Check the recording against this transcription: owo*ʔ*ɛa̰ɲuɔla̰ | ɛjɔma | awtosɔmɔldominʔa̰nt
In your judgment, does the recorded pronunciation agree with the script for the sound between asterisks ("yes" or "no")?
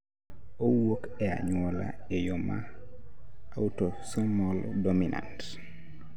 no